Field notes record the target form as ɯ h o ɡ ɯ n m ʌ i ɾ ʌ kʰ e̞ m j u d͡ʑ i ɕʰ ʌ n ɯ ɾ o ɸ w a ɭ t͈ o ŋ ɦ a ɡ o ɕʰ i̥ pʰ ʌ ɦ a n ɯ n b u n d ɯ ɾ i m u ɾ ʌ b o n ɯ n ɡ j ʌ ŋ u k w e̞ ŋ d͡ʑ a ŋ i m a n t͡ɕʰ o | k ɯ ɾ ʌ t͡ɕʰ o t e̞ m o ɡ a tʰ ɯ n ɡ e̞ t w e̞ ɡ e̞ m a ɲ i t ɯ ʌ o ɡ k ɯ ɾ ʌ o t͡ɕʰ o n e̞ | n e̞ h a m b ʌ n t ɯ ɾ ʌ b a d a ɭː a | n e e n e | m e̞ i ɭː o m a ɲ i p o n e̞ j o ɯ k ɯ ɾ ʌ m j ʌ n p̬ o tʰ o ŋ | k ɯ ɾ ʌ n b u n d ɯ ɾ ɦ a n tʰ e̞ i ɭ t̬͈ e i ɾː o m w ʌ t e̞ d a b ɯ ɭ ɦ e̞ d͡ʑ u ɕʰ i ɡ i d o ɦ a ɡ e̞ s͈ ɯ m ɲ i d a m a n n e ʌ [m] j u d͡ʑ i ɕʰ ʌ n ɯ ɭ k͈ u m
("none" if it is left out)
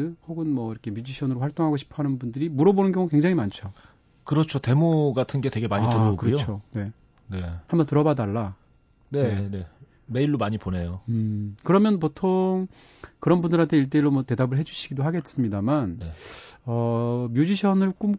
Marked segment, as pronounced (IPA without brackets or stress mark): m